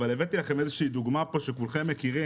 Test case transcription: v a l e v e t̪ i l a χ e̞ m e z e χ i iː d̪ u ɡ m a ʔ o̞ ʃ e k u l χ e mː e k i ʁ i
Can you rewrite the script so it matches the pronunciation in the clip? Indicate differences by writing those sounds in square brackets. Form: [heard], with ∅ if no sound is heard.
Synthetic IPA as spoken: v a l e v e t̪ i l a χ e̞ m e z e [ʃ] i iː d̪ u ɡ m a [p] o̞ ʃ e k u l χ e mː e k i ʁ i